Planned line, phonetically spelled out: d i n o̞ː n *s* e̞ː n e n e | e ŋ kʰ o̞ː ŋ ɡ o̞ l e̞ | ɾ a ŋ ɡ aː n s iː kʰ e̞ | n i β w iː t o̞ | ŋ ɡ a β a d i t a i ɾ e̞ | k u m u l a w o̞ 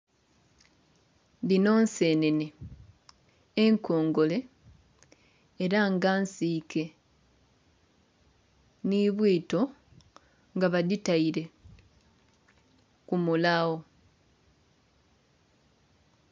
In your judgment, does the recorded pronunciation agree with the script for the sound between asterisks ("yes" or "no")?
yes